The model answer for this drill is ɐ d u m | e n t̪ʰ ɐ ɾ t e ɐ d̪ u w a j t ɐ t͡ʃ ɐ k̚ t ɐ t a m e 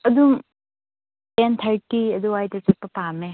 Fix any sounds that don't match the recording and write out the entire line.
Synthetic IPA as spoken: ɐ d u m | e n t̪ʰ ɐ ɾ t i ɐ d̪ u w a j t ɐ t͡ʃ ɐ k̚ p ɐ p a m e